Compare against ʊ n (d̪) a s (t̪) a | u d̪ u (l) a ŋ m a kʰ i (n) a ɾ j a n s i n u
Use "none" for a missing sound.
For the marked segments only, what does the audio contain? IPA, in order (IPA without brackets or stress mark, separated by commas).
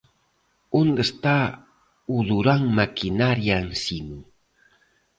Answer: d̪, t̪, ɾ, n